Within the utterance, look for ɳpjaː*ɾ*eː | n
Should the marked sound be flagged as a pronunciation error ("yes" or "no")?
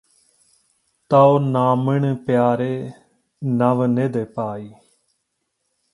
no